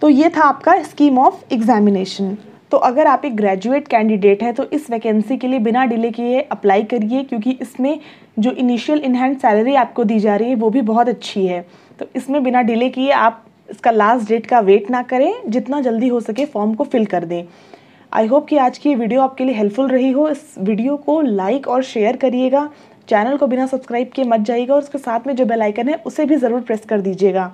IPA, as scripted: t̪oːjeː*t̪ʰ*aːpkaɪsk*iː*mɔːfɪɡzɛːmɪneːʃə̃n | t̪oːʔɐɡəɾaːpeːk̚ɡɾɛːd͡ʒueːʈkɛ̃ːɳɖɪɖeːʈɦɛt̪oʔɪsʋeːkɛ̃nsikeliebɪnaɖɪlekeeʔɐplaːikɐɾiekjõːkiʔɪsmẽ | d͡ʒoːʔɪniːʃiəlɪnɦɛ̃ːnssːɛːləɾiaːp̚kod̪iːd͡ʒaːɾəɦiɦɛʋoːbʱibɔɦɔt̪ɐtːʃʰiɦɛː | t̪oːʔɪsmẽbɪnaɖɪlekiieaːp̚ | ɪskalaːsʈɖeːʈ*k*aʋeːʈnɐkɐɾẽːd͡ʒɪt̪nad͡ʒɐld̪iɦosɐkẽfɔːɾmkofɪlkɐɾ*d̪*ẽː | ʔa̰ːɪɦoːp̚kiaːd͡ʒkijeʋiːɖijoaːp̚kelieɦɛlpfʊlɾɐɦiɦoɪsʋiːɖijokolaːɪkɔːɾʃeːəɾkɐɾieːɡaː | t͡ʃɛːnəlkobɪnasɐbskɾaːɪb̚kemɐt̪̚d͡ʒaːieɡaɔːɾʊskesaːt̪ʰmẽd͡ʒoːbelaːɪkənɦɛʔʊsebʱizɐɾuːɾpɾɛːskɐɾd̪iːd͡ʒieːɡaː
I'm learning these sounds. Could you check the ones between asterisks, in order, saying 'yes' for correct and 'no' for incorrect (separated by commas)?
yes, yes, yes, yes